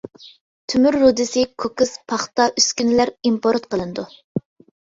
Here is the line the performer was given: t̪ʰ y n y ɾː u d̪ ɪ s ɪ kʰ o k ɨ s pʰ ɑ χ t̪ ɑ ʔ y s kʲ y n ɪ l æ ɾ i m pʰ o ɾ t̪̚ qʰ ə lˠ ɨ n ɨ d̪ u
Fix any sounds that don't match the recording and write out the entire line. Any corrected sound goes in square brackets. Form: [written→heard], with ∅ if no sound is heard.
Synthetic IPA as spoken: t̪ʰ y [n→m] y ɾː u d̪ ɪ s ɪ kʰ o k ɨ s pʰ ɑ χ t̪ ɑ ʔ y s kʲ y n ɪ l æ ɾ i m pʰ o ɾ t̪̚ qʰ ə lˠ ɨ n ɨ d̪ u

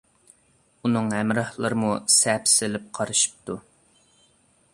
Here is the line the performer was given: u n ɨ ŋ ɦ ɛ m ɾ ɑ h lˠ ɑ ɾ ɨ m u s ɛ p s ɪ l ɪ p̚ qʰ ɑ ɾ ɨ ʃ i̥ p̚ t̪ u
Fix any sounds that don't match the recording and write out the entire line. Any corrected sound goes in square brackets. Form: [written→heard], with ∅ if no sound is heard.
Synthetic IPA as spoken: u n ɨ ŋ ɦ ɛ m ɾ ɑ h lˠ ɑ ɾ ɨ m u s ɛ p s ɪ l ɪ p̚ qʰ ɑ ɾ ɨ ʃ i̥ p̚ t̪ u

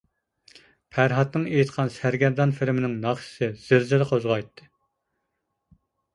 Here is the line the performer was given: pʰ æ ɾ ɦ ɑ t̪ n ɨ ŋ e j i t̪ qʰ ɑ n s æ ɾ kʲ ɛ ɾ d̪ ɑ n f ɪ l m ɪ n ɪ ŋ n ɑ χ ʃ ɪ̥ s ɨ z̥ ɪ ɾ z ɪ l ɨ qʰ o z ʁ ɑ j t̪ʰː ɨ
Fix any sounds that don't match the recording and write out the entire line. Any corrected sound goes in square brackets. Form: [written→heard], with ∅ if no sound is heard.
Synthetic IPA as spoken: pʰ æ ɾ ɦ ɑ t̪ n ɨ ŋ e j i t̪ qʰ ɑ n s æ ɾ [kʲ→ɡʲ] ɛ ɾ d̪ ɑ n f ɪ l m ɪ n ɪ ŋ n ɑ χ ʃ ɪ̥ s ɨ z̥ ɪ ɾ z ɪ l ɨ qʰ o z ʁ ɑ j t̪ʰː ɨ

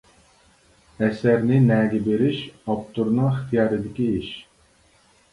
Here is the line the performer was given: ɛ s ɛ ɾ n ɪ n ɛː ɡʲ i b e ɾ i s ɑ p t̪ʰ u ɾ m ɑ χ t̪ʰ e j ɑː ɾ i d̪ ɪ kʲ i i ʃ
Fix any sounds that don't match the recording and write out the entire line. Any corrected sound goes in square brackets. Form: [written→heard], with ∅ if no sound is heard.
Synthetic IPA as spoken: ɛ s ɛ ɾ n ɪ n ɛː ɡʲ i b e ɾ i [s→ʃ] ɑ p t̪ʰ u ɾ [m→n] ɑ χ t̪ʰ [e→i] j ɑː ɾ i d̪ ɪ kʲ i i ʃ

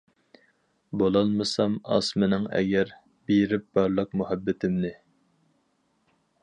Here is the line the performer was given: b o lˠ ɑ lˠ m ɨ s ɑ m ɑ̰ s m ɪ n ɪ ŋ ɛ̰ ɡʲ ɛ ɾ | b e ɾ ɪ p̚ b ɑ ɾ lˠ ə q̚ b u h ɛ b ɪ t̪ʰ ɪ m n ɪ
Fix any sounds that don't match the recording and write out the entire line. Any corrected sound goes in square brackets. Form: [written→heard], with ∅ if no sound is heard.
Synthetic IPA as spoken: b o lˠ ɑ lˠ m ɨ s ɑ m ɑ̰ s m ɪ n ɪ ŋ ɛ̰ ɡʲ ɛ ɾ | b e ɾ ɪ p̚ b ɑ ɾ lˠ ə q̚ [b→m] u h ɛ [b→bː] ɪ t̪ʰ ɪ m n ɪ

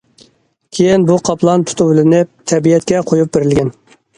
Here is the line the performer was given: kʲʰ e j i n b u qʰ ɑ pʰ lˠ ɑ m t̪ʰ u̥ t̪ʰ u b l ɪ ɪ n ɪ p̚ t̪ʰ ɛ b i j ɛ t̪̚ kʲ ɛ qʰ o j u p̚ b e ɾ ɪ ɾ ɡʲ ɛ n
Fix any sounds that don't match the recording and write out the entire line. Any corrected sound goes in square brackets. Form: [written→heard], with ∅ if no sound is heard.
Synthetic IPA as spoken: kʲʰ e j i n b u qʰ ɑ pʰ lˠ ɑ [m→n] t̪ʰ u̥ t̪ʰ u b l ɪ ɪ n ɪ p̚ t̪ʰ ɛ b i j ɛ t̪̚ kʲ ɛ qʰ o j u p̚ b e ɾ ɪ [ɾ→l] ɡʲ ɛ n

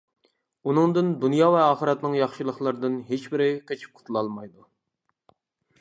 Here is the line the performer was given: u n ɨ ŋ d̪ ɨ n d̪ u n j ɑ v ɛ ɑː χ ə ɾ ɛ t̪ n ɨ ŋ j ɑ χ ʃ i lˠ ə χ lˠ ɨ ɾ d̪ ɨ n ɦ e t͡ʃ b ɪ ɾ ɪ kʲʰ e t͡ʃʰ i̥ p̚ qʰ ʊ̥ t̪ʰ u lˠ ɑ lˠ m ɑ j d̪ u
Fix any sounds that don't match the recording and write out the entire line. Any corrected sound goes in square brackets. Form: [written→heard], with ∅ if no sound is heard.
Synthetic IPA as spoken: u n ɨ ŋ d̪ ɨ n d̪ u n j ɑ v ɛ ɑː χ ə ɾ ɛ t̪ n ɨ ŋ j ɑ χ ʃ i lˠ ə χ lˠ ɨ ɾ d̪ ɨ n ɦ e t͡ʃ b ɪ ɾ ɪ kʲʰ e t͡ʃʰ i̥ p̚ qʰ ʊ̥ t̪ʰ u lˠ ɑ lˠ m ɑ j d̪ u

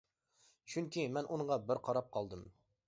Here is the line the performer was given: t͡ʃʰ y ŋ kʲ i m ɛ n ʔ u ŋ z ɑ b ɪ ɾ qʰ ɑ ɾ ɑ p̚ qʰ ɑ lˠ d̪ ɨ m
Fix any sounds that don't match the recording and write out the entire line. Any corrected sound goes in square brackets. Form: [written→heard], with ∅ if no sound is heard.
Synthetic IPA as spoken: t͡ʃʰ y ŋ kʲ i m ɛ n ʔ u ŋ [z→ʁ] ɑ b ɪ ɾ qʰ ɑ ɾ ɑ p̚ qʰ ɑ lˠ d̪ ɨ m

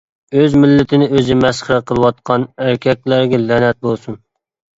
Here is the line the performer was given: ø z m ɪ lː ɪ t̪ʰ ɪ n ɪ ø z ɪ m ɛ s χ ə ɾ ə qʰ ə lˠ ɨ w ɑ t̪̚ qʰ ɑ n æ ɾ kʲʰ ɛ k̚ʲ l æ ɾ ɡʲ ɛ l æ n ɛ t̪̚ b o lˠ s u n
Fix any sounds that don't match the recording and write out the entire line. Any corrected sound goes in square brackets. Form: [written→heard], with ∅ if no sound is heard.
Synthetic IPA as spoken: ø z m ɪ lː ɪ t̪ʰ ɪ n ɪ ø z ɪ m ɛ s χ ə ɾ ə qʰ ə lˠ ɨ w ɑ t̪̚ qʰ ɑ n æ ɾ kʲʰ ɛ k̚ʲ l æ ɾ ɡʲ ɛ l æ n ɛ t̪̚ b o lˠ s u n

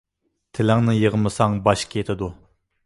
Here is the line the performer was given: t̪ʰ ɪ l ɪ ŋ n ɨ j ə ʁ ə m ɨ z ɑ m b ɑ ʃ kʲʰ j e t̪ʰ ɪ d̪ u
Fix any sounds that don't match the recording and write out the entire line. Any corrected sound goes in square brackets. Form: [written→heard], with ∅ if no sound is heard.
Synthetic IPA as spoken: t̪ʰ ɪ l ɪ ŋ n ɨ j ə ʁ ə m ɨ [z→s] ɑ [m→ŋ] b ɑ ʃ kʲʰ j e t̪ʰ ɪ d̪ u

